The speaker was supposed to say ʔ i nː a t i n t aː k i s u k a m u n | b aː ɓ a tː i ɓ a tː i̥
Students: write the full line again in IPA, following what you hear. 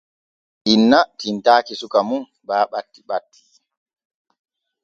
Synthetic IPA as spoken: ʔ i nː a t i n t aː k i s u k a m u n | b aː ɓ a tː i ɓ a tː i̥